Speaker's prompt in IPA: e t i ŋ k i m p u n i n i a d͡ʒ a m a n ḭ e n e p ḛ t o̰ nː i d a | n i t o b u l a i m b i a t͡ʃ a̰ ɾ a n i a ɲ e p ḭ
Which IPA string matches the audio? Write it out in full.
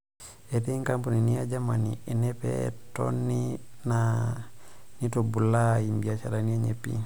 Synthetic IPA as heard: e t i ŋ k a m p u n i n i a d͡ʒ a m a n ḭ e n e p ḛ t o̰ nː i n a | n i t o b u l a i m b i a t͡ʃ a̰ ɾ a n i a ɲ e p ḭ